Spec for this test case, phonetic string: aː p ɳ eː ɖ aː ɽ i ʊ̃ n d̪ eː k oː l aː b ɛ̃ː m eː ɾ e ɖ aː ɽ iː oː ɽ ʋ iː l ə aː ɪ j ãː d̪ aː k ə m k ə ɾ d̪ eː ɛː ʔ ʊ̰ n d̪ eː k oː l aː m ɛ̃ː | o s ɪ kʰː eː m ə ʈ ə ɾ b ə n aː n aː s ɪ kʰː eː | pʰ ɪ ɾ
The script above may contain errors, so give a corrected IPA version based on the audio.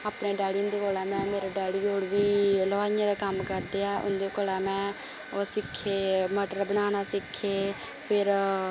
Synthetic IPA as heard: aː p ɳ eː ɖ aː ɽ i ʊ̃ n d̪ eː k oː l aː m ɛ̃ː m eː ɾ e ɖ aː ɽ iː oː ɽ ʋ iː l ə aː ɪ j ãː d̪ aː k ə m k ə ɾ d̪ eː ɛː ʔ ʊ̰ n d̪ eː k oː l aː m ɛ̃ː | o s ɪ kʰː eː m ə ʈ ə ɾ b ə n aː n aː s ɪ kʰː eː | pʰ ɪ ɾ